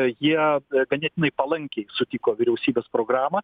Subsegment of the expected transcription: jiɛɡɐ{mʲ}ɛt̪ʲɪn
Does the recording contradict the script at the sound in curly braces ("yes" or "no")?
yes